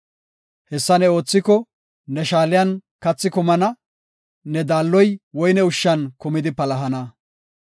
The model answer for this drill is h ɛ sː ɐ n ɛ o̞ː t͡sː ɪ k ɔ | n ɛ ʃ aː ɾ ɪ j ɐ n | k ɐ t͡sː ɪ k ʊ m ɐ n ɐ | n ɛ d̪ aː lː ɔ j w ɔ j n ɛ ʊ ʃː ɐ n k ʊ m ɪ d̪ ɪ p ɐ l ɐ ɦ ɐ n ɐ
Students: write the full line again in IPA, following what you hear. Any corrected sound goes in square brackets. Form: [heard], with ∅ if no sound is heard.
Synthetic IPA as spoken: h ɛ sː ɐ n ɛ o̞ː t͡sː ɪ k ɔ | n ɛ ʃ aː [l] ɪ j ɐ n | k ɐ t͡sː ɪ k ʊ m ɐ n ɐ | n ɛ d̪ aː lː ɔ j w ɔ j n ɛ ʊ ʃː ɐ n k ʊ m ɪ d̪ ɪ p ɐ l ɐ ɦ ɐ n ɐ